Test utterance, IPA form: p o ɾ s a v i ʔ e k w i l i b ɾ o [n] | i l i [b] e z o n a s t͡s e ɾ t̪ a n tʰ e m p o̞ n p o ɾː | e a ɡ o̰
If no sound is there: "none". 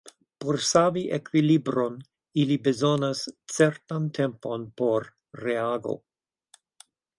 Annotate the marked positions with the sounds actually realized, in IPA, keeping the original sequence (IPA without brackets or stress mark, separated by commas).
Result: n, b